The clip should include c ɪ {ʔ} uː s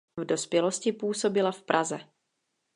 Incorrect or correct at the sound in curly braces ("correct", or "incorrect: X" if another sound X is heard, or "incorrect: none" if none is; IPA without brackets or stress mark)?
incorrect: p